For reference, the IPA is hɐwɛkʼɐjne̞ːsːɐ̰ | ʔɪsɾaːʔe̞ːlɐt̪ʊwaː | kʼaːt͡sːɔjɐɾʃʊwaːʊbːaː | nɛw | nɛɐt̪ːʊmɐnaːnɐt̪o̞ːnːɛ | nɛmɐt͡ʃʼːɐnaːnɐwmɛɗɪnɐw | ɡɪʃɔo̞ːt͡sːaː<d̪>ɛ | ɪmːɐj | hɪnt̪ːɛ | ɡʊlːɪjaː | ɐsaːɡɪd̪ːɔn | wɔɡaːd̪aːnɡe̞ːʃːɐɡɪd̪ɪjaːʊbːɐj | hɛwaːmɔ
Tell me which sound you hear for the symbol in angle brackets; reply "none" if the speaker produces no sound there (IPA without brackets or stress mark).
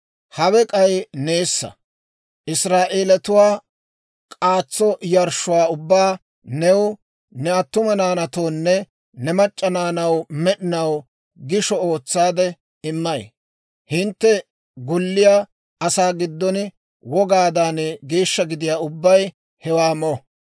d̪